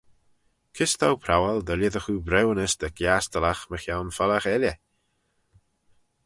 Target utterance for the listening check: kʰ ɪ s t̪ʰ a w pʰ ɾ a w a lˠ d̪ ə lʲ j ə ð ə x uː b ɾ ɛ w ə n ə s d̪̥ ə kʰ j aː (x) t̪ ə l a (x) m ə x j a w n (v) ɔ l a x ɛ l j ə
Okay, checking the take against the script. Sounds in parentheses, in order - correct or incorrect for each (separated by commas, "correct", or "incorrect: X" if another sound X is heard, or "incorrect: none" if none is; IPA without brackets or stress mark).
incorrect: s, correct, incorrect: f